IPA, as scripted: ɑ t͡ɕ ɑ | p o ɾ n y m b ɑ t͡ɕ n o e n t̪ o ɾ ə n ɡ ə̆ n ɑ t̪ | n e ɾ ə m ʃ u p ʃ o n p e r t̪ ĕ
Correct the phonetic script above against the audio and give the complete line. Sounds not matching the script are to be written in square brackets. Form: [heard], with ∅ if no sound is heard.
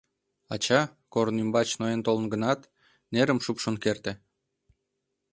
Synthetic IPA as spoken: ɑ t͡ɕ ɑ | [k] o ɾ n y m b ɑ t͡ɕ n o e n t̪ o [l] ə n ɡ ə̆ n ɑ t̪ | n e ɾ ə m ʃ u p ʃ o n [k] e r t̪ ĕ